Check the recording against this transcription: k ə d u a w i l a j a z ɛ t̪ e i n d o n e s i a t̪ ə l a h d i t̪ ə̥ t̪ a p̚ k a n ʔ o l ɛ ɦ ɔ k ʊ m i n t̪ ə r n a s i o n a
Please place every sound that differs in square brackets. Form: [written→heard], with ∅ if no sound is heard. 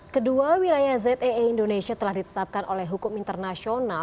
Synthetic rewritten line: k ə d u a w i l a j a z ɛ t̪ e i n d o n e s i a t̪ ə l a h d i t̪ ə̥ t̪ a p̚ k a n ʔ o l ɛ ɦ [ɔ→u] k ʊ m i n t̪ ə r n a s i o n a